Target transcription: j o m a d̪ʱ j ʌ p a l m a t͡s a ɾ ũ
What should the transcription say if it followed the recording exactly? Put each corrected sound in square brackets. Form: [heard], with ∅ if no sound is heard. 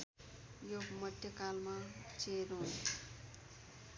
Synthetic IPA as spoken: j o m [ʌ] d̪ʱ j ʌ [k] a l m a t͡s [e] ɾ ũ